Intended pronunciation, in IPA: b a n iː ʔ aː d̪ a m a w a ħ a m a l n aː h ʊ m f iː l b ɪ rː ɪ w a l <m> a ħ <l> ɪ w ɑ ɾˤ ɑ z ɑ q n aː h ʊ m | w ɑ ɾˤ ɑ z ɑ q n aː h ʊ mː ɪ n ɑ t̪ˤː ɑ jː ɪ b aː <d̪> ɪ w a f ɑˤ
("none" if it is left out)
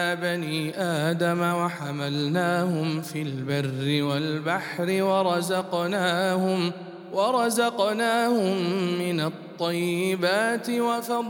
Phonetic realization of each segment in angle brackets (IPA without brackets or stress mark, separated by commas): b, ɾ, t̪